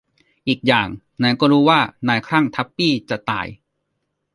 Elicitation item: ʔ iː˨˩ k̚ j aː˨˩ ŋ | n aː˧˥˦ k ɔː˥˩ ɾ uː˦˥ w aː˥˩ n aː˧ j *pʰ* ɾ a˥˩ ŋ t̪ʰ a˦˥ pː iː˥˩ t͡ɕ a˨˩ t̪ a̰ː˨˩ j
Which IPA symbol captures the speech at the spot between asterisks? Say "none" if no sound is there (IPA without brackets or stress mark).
kʰ